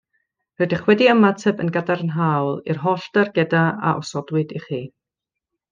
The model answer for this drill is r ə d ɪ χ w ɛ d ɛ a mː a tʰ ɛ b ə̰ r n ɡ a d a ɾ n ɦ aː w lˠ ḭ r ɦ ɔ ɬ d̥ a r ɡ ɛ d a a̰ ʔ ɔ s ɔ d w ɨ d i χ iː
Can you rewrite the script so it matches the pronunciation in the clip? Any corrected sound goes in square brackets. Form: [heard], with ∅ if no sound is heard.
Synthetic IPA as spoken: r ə d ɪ χ w ɛ d [i] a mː a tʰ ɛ b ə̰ [∅] n ɡ a d a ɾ n ɦ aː w lˠ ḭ r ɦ ɔ ɬ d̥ a r ɡ ɛ d a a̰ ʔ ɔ s ɔ d w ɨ d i χ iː